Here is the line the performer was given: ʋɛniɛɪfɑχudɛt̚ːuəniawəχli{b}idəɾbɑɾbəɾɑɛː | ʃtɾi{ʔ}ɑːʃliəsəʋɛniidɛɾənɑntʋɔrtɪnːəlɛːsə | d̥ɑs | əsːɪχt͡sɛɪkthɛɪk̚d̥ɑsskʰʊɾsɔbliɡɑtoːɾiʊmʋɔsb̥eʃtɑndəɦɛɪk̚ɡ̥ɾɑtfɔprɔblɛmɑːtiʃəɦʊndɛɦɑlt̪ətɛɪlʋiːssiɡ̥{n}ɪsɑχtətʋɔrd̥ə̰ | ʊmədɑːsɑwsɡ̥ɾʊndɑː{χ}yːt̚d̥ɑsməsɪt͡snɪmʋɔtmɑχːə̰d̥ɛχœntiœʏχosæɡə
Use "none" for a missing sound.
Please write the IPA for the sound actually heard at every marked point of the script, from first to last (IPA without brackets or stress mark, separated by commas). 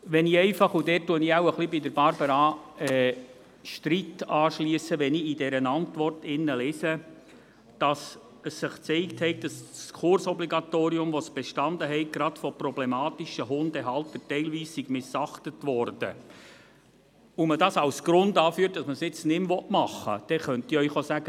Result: b, t, m, f